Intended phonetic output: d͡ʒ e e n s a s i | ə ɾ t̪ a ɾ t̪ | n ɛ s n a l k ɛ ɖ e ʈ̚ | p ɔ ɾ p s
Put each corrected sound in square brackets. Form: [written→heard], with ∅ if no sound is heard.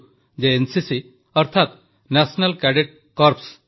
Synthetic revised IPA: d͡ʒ e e n s [a→i] s i | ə ɾ [t̪→t̪ʰ] a [ɾ→∅] t̪ | n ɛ s n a l k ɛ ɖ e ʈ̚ | [p→k] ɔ ɾ p s